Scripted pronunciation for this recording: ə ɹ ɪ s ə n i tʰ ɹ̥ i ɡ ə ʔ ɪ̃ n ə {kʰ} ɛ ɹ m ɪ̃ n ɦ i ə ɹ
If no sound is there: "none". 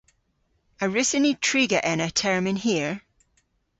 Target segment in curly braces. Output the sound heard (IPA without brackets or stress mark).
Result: tʰ